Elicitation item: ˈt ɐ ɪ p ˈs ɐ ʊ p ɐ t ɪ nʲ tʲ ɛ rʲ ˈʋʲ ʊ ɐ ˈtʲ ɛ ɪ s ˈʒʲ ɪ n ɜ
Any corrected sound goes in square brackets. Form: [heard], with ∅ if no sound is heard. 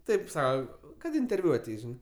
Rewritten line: ˈt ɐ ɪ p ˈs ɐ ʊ [k] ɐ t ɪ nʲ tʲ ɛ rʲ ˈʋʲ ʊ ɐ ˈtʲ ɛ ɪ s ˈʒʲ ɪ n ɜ